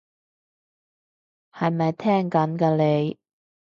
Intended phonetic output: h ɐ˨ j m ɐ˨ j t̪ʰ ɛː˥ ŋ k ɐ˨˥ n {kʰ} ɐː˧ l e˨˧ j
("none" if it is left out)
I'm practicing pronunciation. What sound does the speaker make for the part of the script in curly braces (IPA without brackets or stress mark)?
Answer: k